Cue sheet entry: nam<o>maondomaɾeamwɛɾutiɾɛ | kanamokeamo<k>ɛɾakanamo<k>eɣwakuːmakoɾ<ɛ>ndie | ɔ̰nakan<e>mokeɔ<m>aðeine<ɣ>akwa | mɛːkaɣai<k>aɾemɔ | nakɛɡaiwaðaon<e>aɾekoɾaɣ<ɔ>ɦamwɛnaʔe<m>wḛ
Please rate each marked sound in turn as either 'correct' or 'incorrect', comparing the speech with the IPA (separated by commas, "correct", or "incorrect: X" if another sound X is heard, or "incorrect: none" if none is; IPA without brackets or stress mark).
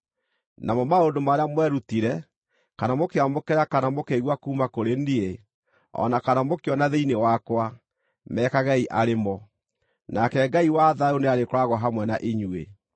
incorrect: ɔ, correct, correct, incorrect: e, incorrect: a, incorrect: n, incorrect: w, incorrect: ʔ, correct, correct, incorrect: ɲ